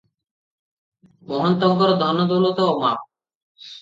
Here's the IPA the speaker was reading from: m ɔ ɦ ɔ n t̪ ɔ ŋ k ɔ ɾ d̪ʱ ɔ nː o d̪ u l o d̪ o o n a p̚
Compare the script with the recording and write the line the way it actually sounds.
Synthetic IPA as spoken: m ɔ ɦ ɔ n t̪ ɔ ŋ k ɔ ɾ d̪ʱ ɔ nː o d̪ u l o t̪ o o m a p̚